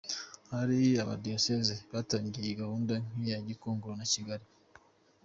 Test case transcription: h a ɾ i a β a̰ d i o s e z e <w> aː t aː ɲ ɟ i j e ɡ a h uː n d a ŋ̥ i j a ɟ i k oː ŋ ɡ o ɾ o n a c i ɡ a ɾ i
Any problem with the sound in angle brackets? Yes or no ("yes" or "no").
yes